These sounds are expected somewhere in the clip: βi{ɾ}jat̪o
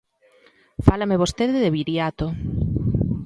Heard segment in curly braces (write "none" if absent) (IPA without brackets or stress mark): ɾ